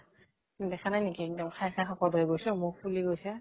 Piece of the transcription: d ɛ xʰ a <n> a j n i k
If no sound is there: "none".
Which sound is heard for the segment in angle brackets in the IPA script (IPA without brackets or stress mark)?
n